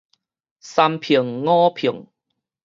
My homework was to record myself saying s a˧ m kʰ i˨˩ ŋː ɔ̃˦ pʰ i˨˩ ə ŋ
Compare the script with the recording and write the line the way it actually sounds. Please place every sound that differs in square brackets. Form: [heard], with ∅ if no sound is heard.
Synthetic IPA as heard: s a˧ m [pʰ] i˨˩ ŋː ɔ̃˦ pʰ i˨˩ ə ŋ